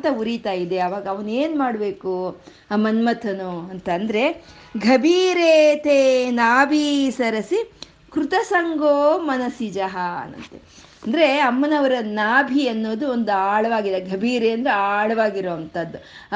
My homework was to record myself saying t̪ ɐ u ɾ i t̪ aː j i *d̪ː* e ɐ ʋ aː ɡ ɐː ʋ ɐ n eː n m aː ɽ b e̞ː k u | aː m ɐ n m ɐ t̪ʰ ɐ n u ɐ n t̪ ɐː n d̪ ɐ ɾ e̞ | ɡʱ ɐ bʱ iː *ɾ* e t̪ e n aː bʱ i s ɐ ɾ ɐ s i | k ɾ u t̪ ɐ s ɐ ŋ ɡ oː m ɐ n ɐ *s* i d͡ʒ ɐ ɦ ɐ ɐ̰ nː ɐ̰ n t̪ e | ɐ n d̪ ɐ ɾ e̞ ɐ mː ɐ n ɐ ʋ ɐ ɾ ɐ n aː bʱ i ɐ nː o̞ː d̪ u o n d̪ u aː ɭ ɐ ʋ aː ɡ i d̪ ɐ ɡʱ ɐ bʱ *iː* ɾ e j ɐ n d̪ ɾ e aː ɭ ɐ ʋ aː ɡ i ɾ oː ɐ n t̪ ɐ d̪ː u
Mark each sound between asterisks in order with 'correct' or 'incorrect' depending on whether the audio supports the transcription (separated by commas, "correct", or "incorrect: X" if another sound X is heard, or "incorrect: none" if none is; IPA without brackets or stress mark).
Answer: incorrect: d̪, correct, correct, correct